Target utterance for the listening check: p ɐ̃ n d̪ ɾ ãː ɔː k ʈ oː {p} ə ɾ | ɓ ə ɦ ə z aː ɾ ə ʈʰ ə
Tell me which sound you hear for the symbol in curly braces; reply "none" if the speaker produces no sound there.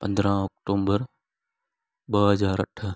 b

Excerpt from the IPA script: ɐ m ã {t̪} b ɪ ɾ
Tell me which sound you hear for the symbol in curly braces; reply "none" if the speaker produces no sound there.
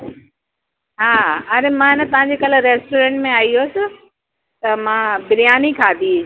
none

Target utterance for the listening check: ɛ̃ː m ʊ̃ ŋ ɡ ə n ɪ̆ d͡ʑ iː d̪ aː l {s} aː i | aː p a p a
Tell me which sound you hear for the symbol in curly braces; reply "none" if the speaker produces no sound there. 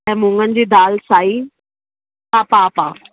s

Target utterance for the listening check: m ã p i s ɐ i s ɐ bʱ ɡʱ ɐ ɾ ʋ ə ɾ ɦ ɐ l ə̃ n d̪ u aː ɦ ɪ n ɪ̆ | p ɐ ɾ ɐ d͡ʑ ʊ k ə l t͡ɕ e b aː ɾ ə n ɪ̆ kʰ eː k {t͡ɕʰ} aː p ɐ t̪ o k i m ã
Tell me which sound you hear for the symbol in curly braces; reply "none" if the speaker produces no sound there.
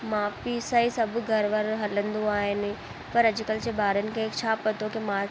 t͡ɕʰ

